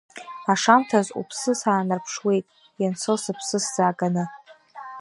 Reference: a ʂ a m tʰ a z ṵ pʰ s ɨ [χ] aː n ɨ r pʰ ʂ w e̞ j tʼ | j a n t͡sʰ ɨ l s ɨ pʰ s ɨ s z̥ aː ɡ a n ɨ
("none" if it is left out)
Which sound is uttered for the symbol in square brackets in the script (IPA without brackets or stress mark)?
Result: s